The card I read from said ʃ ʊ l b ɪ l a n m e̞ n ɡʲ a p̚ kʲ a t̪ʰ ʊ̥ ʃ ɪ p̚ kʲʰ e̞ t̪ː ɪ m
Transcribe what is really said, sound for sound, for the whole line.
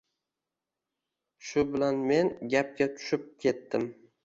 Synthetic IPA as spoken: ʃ ʊ b ɪ l a n m e̞ n ɡʲ a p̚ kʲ a t̪ʰ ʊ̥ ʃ ɪ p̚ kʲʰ e̞ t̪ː ɪ m

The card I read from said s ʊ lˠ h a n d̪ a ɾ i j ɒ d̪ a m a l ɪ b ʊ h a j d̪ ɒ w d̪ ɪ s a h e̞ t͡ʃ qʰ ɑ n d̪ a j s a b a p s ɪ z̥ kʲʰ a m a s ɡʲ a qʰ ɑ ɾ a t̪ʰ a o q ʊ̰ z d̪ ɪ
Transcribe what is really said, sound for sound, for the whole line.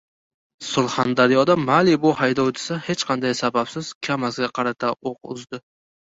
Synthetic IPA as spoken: s ʊ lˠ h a n d̪ a ɾ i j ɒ d̪ a m a l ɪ b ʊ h a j d̪ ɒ w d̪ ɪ s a h e̞ t͡ʃ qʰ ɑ n d̪ a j s a b a p s ɪ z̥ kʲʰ a m a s ɡʲ a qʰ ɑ ɾ a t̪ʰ a o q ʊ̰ z d̪ ɪ

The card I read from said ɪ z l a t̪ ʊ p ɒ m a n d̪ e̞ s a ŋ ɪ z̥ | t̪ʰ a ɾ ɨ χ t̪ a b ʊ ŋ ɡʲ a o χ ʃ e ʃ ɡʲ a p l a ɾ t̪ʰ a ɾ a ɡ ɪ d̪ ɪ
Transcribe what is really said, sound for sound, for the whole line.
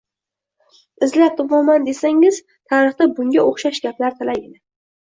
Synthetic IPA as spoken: ɪ z l a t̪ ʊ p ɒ m a n d̪ e̞ s a ŋ ɪ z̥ | t̪ʰ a ɾ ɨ χ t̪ a b ʊ ŋ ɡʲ a o χ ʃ a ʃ ɡʲ a p l a ɾ t̪ʰ a l a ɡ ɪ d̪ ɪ

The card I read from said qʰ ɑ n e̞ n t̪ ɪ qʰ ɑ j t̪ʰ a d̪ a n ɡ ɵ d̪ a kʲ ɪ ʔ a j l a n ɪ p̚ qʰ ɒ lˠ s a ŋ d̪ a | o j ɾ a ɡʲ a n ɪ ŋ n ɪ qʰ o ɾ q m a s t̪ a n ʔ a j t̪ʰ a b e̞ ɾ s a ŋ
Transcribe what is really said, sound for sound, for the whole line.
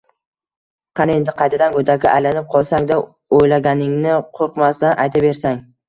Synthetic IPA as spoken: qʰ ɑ n e̞ n d̪ ɪ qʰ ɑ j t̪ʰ a d̪ a n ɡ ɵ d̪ a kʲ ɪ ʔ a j l a n ɪ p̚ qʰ ɒ lˠ s a ŋ d̪ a | o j l a ɡʲ a n ɪ ŋ n ɪ qʰ o ɾ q m a s t̪ a n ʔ a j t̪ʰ a b e̞ ɾ s a ŋ

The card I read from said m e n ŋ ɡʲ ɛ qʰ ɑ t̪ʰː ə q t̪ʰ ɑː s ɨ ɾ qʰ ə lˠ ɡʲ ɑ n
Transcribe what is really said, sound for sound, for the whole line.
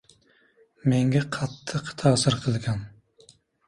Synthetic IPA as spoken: m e ŋ ɡʲ ɛ qʰ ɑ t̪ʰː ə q t̪ʰ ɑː s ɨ ɾ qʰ ə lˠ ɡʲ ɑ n

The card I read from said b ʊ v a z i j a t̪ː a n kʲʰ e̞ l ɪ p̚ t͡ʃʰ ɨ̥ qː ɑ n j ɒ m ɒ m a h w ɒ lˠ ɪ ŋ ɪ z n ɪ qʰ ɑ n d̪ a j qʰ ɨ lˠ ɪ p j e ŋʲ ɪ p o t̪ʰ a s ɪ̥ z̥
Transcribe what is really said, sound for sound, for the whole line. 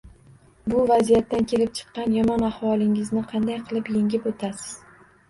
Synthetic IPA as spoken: b ʊ v a z i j a t̪ː a n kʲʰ e̞ l ɪ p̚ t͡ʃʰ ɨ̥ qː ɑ n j ɒ m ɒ n a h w ɒ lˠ ɪ ŋ ɪ z n ɪ qʰ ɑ n d̪ a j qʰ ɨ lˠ ɪ p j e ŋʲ ɪ p o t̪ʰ a s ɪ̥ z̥

